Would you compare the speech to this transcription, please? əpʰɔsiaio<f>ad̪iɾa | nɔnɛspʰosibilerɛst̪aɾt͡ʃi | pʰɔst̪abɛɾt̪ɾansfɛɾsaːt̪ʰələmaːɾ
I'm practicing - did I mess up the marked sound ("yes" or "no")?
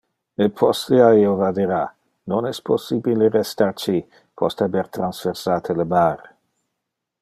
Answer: yes